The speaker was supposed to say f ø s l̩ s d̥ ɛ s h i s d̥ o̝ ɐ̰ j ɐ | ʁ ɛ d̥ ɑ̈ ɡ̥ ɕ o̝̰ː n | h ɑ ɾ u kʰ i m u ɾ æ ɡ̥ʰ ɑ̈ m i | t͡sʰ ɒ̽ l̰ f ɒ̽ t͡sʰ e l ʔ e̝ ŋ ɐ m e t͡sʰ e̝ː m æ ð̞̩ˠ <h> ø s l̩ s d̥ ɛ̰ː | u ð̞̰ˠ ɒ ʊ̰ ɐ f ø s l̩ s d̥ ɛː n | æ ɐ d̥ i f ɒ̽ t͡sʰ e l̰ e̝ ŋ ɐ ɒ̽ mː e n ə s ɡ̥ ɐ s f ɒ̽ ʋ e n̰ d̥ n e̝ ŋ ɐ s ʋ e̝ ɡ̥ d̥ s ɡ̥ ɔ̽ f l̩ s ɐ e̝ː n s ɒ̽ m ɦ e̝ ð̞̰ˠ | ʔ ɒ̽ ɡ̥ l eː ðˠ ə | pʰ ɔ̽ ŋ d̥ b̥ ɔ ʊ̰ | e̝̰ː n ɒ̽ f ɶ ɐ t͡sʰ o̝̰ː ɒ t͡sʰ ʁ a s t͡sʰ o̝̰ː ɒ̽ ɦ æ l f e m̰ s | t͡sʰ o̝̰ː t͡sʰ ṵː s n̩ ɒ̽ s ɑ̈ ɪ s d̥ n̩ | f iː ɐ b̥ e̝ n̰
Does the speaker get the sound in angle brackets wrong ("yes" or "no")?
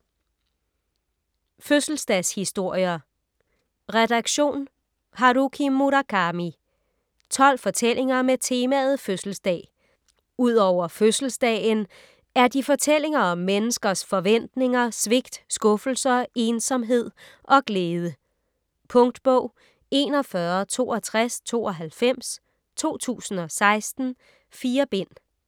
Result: yes